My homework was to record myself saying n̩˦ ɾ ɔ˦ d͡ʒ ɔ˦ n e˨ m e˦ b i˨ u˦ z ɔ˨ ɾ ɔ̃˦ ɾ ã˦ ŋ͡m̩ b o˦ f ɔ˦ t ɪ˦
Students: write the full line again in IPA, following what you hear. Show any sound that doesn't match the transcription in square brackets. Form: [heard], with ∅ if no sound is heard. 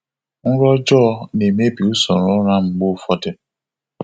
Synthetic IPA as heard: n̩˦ ɾ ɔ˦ d͡ʒ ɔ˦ n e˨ m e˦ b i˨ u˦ [s] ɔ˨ ɾ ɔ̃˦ ɾ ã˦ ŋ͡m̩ [ɡ͡b] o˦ f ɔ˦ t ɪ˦